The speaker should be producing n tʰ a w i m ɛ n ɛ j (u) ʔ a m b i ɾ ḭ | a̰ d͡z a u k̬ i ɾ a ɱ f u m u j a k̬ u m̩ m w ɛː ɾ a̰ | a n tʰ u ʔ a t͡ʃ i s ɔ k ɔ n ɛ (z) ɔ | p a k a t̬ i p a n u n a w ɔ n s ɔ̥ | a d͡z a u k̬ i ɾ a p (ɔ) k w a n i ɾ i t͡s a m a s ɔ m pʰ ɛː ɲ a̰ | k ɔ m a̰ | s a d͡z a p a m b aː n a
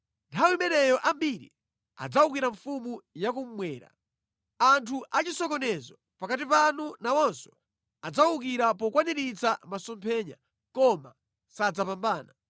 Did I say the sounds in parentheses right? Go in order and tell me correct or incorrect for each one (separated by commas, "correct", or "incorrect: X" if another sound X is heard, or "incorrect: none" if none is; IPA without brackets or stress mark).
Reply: incorrect: ɔ, correct, correct